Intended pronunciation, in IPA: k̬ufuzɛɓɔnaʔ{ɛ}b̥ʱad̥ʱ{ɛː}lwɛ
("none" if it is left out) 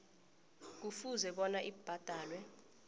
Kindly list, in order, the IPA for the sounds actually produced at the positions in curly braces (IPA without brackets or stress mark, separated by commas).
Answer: i, aː